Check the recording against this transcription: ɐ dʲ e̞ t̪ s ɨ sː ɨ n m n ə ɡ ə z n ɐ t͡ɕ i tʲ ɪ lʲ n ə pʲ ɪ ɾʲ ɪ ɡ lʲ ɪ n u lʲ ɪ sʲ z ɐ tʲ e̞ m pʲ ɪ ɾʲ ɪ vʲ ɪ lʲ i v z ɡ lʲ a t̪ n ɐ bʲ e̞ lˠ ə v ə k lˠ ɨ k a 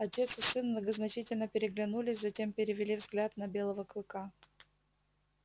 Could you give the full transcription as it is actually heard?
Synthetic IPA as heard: ɐ tʲ e̞ t̪ s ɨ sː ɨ n m n ə ɡ ə z n ɐ t͡ɕ i tʲ ɪ lʲ n ə pʲ ɪ ɾʲ ɪ ɡ lʲ ɪ n u lʲ ɪ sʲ z ɐ tʲ e̞ m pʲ ɪ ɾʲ ɪ vʲ ɪ lʲ i v z ɡ lʲ a t̪ n ɐ bʲ e̞ lˠ ə v ə k lˠ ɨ k a